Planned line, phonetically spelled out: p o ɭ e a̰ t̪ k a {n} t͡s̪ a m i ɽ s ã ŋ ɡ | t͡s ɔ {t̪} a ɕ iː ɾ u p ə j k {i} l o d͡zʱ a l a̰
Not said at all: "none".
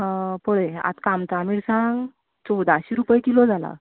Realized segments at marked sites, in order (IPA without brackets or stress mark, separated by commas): m, d̪, i